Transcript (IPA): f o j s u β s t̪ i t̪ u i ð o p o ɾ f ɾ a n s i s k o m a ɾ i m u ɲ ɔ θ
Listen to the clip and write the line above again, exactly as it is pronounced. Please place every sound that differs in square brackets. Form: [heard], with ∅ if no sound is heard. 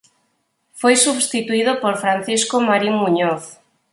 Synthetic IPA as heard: f o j s u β s t̪ i t̪ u i ð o p o ɾ f ɾ a n [θ] i s k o m a ɾ i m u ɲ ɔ θ